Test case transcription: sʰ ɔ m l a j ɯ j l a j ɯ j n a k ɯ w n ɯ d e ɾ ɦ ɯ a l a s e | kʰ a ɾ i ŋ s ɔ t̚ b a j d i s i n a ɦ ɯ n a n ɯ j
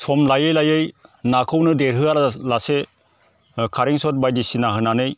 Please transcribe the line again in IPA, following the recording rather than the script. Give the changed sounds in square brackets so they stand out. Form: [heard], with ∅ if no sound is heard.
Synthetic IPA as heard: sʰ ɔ m l a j ɯ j l a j ɯ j n a [kʰ] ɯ w n ɯ d e ɾ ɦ ɯ a l a s e | kʰ a ɾ i ŋ s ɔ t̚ b a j d i s i n a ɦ ɯ n a n ɯ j